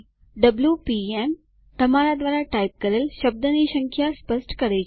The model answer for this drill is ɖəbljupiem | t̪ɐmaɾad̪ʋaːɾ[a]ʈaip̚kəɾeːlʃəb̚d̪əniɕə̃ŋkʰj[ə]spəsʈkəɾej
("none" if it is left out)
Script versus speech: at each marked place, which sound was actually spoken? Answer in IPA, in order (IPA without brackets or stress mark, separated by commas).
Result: a, a